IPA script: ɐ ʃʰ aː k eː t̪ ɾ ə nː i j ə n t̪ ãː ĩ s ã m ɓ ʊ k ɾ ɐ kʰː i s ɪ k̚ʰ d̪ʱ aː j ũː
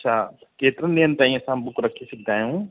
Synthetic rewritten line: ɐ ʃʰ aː k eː t̪ ɾ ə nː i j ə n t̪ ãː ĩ s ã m b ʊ k ɾ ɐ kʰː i s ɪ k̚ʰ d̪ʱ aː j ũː

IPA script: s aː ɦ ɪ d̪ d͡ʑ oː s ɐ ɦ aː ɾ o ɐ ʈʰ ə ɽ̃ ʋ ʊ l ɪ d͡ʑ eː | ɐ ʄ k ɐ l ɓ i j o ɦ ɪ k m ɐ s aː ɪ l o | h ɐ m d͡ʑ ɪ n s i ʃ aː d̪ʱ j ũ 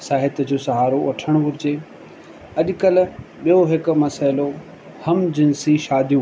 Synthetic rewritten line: s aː ɦ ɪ t̪ d͡ʑ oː s ɐ ɦ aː ɾ o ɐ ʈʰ ə ɽ̃ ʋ ʊ ɾ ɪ d͡ʑ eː | ɐ ʄ k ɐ l ɓ i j o ɦ ɪ k m ɐ s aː ɪ l o | h ɐ m d͡ʑ ɪ n s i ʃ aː d̪ʱ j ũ

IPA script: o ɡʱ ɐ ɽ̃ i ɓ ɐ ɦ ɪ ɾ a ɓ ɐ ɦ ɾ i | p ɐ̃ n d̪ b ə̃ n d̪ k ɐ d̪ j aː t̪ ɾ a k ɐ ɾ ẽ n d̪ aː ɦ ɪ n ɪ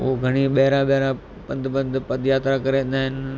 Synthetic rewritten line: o ɡʱ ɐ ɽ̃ i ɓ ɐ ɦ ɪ ɾ a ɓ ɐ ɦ ɾ a | p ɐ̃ n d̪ b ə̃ n d̪ p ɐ d̪ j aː t̪ ɾ a k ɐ ɾ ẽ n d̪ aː ɦ ɪ n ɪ

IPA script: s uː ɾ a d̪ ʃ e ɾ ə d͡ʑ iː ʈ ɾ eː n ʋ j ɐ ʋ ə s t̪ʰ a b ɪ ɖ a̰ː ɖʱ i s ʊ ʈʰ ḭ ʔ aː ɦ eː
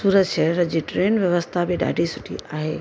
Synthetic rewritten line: s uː ɾ ə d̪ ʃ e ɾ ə d͡ʑ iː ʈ ɾ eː n ʋ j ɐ ʋ ə s t̪ʰ a b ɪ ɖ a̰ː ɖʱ i s ʊ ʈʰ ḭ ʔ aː ɦ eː

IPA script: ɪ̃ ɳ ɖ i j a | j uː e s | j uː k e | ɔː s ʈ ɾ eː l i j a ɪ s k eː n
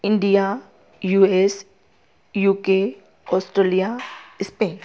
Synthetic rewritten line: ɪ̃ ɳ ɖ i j a | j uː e s | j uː k e | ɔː s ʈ ɾ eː l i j a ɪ s p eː n

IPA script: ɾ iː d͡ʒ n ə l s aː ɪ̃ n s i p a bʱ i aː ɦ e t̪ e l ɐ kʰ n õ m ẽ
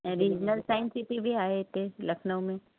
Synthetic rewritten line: ɾ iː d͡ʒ n ə l s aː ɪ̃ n s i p i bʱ i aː ɦ e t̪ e l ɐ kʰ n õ m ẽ

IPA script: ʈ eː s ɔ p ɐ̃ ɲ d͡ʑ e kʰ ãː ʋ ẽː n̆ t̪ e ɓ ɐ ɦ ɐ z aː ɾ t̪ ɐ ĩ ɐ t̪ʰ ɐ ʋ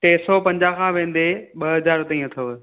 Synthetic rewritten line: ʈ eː s ɔ p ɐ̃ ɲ d͡ʑ a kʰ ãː ʋ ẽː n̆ d̪ e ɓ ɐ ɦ ɐ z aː ɾ t̪ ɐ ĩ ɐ t̪ʰ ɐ ʋ

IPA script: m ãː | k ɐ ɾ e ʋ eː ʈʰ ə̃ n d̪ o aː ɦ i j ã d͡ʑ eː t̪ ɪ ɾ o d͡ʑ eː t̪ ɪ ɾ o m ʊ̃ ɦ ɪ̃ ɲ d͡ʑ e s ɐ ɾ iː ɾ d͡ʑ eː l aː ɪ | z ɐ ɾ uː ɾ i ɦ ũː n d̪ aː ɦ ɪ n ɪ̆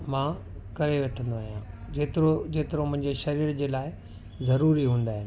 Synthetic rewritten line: m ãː | k ɐ ɾ e ʋ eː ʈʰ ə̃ n d̪ o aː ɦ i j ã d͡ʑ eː t̪ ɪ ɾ o d͡ʑ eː t̪ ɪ ɾ o m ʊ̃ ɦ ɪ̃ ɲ d͡ʑ e ʃ ɐ ɾ iː ɾ d͡ʑ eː l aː ɪ | z ɐ ɾ uː ɾ i ɦ ũː n d̪ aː ɦ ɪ n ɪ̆

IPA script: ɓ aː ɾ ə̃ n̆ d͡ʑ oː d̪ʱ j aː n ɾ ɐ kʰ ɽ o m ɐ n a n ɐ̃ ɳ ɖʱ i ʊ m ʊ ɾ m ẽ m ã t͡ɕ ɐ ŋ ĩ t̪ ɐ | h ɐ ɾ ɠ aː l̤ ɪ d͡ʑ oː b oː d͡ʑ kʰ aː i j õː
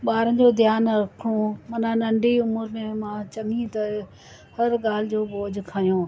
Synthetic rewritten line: ɓ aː ɾ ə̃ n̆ d͡ʑ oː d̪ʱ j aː n ɾ ɐ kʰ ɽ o m ɐ n a n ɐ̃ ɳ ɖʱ i ʊ m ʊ ɾ m ẽ m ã t͡ɕ ɐ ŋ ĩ t̪ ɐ | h ɐ ɾ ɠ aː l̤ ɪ d͡ʑ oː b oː d͡ʑ kʰ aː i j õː

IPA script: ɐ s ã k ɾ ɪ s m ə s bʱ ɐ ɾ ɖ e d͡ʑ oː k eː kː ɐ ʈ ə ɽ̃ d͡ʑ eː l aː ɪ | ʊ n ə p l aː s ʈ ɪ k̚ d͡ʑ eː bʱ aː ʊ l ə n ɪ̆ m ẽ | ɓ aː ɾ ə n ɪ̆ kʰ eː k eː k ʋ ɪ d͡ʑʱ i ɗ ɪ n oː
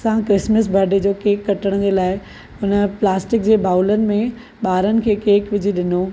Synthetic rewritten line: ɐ s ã k ɾ ɪ s m ə s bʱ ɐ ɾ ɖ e d͡ʑ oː k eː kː ɐ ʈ ə ɽ̃ d͡ʑ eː l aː ɪ | ʊ n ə p l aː s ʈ ɪ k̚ d͡ʑ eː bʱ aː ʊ l ə n ɪ̆ m ẽ | ɓ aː ɾ ə n ɪ̆ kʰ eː k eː k ʋ ɪ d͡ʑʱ i ɗ ɪ n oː

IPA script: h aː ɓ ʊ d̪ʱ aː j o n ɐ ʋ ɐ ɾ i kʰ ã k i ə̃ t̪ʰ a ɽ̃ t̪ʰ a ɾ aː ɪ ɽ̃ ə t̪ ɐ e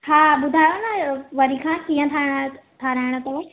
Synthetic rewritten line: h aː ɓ ʊ d̪ʱ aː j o n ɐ ʋ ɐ ɾ i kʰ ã k i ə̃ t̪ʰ a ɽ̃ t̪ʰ a ɾ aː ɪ ɽ̃ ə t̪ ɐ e

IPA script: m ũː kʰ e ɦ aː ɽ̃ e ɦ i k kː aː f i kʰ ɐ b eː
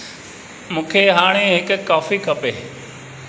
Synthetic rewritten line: m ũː kʰ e ɦ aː ɽ̃ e ɦ ɪ k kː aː f i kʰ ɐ p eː

